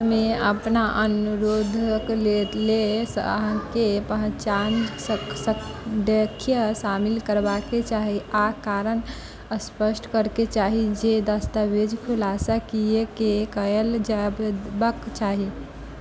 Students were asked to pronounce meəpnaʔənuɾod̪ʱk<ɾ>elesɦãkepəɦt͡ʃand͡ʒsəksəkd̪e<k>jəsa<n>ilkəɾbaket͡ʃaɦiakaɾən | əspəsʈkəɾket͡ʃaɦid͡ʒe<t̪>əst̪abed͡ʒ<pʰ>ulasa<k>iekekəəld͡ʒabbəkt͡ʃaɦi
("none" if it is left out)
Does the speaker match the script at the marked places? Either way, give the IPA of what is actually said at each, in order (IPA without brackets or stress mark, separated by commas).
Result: l, kʰ, m, d̪, kʰ, k